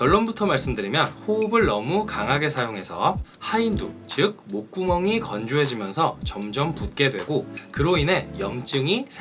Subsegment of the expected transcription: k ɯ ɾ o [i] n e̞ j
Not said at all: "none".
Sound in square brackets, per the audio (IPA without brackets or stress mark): i